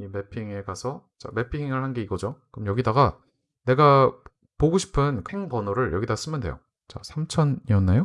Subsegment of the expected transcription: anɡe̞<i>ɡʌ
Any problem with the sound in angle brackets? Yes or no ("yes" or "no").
no